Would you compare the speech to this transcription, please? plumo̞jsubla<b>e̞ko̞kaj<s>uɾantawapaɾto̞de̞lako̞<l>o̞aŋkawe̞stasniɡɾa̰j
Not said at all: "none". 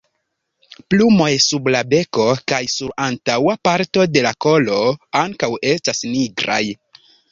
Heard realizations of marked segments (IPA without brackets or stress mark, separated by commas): b, s, l